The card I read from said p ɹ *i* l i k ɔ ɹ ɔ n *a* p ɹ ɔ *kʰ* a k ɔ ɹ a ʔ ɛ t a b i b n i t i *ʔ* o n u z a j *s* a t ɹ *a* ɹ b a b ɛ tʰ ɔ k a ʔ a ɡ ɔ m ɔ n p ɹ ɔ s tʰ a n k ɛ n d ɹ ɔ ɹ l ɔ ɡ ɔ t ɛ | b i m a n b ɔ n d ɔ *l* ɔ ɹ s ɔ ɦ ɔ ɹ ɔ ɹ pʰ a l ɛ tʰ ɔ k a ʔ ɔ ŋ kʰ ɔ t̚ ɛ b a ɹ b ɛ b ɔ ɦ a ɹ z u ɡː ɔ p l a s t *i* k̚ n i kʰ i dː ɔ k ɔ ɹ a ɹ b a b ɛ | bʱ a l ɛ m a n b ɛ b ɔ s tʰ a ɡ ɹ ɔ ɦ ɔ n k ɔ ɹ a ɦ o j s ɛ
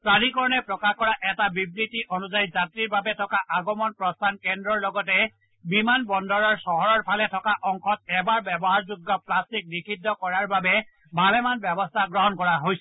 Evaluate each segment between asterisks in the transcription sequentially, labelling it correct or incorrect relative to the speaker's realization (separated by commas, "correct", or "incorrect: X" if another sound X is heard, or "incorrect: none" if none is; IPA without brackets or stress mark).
incorrect: a, incorrect: ɛ, incorrect: k, correct, incorrect: z, incorrect: i, incorrect: ɹ, correct